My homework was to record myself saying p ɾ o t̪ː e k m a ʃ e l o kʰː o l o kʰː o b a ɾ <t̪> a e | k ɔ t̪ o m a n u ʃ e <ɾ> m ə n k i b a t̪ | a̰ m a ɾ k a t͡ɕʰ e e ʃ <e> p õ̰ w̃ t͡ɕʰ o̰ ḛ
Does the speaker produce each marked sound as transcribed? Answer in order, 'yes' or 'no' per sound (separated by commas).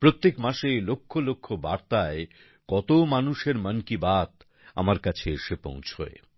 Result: yes, yes, yes